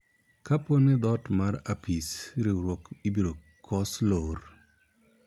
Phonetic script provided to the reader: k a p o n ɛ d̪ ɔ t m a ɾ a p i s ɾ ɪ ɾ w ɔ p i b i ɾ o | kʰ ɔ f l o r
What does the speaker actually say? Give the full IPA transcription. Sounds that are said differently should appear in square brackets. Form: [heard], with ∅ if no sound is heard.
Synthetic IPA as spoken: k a p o n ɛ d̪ ɔ t m a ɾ a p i s ɾ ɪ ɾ w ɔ [k] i b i ɾ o | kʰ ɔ [s] l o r